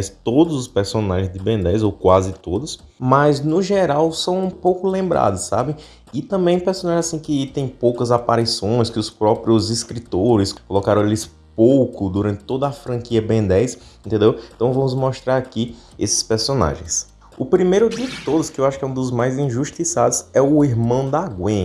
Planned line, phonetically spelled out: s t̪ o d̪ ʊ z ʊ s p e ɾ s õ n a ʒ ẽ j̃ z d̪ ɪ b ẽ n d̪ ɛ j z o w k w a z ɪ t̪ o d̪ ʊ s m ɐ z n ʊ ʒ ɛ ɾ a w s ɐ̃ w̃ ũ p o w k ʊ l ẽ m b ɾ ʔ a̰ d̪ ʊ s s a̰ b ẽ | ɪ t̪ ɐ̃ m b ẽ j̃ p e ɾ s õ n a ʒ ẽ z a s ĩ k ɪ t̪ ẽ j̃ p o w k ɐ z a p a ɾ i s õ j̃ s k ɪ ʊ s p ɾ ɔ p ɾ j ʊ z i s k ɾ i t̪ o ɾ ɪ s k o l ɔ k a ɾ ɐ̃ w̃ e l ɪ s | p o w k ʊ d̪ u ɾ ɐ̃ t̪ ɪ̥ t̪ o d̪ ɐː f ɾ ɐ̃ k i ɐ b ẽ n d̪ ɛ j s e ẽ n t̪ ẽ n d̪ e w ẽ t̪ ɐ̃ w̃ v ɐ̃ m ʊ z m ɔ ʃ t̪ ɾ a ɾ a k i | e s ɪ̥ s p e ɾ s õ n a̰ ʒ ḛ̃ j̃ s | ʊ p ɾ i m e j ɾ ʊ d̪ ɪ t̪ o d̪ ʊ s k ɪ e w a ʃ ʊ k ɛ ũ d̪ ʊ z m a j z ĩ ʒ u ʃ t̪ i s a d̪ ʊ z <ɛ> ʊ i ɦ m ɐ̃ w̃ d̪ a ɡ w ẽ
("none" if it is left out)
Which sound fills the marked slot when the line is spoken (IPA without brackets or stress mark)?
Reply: ɛ